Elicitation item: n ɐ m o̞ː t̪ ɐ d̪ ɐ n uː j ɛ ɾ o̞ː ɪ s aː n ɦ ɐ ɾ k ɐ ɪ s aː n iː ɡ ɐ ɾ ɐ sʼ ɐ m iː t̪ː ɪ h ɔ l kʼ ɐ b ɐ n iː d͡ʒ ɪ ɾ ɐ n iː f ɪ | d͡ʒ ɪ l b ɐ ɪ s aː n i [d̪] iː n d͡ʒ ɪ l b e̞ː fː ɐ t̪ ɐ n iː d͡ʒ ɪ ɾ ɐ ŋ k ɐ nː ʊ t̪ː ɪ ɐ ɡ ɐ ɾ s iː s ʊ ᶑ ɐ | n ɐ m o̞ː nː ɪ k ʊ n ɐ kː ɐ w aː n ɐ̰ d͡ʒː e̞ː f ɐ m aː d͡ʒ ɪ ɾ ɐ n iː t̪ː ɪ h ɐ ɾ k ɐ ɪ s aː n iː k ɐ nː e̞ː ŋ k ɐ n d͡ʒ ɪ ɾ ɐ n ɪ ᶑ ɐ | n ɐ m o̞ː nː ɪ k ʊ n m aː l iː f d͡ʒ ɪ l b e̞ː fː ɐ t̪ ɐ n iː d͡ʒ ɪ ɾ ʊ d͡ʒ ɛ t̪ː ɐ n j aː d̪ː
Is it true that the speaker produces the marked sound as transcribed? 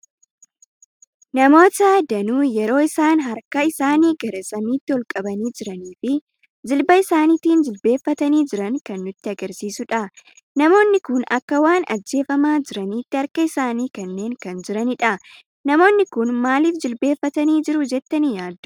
no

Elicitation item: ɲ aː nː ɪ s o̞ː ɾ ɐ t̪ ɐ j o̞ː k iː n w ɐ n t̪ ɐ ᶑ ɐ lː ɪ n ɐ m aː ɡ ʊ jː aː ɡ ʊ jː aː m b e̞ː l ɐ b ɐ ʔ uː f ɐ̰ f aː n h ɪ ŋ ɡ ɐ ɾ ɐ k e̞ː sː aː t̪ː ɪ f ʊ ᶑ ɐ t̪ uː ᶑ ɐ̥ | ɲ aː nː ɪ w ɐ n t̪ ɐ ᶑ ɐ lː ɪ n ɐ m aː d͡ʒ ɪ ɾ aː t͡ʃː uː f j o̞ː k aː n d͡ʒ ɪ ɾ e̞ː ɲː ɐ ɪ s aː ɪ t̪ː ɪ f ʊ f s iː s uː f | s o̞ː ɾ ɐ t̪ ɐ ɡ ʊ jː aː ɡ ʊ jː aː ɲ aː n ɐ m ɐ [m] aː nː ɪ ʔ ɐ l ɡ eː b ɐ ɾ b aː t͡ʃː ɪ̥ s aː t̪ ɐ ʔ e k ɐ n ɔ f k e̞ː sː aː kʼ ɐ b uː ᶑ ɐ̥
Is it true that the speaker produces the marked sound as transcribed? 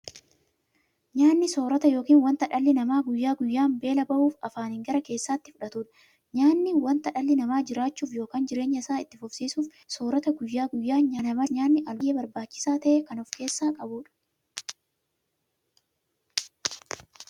no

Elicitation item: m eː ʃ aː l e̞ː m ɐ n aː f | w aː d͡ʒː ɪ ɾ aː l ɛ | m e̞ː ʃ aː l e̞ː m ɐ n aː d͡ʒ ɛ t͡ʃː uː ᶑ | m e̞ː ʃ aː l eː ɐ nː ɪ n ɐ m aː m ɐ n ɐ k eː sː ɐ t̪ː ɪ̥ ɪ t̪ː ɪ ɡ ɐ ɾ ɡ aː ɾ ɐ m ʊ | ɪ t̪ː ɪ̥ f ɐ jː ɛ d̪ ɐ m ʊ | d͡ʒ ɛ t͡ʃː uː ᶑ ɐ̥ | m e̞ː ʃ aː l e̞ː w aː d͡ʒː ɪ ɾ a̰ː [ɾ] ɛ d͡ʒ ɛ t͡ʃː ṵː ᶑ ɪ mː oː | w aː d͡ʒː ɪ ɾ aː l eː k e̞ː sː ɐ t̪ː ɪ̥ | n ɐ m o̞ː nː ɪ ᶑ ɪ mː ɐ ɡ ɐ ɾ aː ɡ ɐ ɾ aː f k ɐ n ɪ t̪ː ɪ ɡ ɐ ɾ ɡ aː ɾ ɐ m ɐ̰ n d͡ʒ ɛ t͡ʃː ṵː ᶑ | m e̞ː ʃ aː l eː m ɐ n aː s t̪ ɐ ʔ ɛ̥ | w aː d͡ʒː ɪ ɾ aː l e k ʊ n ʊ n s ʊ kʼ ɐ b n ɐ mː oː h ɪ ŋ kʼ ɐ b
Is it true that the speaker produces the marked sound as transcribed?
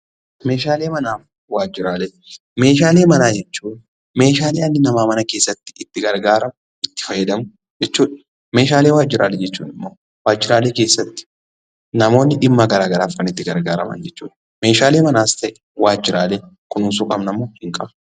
no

